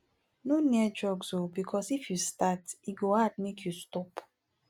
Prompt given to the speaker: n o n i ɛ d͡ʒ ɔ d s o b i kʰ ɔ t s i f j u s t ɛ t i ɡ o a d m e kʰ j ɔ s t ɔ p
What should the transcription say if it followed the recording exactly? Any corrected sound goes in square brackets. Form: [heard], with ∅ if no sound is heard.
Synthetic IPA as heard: n o n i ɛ d͡ʒ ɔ [ɡ] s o b i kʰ ɔ [∅] s i f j u s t [a] t i ɡ o a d m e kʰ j [u] s t ɔ p